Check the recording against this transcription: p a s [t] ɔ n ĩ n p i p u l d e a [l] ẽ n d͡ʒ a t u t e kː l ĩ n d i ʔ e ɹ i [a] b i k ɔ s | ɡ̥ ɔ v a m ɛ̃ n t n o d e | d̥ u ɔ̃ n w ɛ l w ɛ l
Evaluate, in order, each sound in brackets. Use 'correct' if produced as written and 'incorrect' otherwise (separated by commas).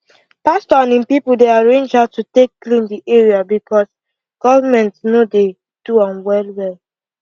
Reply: correct, incorrect, correct